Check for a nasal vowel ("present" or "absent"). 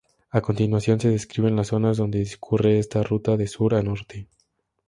absent